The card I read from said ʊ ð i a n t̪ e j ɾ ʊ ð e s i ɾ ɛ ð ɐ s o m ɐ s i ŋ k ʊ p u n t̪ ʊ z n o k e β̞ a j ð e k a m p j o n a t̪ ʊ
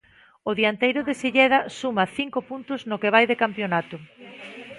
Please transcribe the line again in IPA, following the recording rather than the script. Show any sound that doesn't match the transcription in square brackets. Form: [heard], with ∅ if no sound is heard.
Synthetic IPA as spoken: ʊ ð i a n t̪ e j ɾ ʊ ð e s i [ʎ] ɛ ð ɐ s [u] m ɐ [θ] i ŋ k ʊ p u n t̪ ʊ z n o k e β̞ a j ð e k a m p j o n a t̪ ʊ